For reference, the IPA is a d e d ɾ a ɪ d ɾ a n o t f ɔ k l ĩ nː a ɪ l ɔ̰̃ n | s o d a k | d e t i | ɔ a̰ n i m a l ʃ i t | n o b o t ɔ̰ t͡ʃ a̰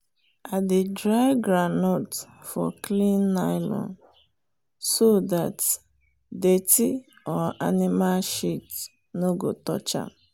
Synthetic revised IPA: a d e d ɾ a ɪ ɡ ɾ a n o t f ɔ k l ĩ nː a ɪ l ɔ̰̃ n | s o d a t | d e t i | ɔ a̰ n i m a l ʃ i t | n o ɡ o t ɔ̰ t͡ʃ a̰